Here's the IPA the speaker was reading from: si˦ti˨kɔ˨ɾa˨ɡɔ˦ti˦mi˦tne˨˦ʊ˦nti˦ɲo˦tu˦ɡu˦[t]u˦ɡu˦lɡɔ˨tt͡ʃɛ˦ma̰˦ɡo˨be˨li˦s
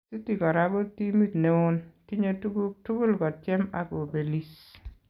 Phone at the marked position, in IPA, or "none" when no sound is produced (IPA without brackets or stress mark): t